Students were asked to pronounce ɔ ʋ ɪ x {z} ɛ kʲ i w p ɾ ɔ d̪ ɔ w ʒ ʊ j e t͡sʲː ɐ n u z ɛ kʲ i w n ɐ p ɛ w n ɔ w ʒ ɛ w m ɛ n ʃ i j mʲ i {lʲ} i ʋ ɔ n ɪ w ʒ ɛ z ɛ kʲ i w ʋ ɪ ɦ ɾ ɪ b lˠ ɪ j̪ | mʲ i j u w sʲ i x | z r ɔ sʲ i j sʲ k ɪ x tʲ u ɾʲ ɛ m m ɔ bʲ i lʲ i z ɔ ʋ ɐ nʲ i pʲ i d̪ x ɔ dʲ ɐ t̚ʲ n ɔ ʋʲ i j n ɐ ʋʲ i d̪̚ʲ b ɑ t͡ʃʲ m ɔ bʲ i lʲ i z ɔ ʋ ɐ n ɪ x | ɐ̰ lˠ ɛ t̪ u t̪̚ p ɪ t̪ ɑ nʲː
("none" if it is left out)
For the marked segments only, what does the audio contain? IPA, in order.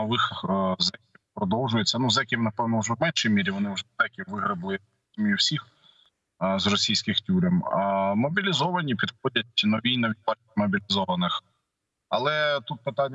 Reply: z, ɾʲ

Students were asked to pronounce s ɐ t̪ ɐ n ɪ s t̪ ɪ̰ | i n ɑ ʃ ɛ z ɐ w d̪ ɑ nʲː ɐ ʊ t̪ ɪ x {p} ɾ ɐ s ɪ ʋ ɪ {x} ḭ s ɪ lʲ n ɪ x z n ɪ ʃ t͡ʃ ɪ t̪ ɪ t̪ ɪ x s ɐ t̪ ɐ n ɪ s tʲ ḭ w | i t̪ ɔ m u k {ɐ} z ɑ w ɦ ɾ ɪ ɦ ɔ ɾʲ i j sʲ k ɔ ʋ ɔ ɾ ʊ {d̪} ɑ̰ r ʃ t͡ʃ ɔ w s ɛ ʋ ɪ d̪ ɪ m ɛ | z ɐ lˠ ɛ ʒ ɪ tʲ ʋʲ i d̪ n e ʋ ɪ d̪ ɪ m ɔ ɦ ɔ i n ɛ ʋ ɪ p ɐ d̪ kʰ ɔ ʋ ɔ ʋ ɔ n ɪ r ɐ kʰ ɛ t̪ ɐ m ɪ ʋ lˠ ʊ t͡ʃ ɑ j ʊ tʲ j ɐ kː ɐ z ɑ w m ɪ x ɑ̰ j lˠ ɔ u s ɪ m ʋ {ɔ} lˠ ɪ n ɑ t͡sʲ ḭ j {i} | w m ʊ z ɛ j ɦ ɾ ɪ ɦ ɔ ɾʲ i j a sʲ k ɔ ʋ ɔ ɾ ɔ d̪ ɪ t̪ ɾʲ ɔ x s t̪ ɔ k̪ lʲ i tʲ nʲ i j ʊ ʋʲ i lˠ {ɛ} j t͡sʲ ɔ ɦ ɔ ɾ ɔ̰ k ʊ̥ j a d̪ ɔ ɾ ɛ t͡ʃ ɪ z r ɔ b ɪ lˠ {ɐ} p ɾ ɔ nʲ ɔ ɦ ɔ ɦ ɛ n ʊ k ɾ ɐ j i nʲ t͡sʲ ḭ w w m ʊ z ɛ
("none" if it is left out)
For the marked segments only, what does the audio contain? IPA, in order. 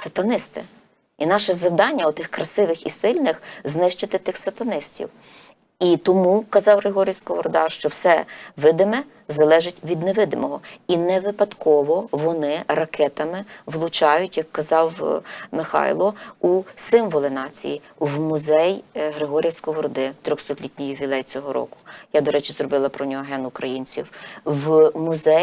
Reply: k, x, ɐ, d̪, ɔ, i, ɛ, ɐ

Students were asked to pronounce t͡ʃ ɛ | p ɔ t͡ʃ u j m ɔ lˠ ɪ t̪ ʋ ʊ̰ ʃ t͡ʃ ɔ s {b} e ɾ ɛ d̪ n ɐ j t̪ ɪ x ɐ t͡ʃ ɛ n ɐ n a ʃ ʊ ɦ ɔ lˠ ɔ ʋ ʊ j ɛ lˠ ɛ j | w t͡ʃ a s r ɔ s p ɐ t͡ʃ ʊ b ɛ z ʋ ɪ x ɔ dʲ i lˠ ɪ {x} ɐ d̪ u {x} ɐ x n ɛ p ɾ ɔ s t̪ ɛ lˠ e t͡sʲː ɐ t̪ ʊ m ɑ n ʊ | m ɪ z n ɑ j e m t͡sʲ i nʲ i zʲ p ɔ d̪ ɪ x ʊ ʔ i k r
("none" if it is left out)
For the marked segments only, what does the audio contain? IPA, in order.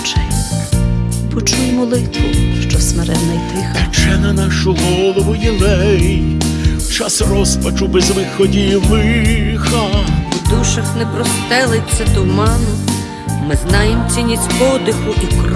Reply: m, x, ʃ

